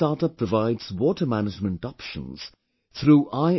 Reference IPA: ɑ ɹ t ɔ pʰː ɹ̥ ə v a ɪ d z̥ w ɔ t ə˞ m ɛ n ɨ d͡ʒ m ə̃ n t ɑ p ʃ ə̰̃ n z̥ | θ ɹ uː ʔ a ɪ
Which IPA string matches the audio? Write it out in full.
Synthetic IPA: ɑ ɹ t ʌ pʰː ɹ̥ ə v a ɪ d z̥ w ɔ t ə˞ m æ n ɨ d͡ʒ m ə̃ n t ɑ p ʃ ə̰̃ n z̥ | θ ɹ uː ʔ a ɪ